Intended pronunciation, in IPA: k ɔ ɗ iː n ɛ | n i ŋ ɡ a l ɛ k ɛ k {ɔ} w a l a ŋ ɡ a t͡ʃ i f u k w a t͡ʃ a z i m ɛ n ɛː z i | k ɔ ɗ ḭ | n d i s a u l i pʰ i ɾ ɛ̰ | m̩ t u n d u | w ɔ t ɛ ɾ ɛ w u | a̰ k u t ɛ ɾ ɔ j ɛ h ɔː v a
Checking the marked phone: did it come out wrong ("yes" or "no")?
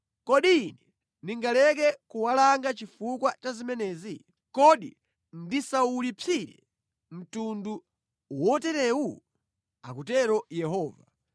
yes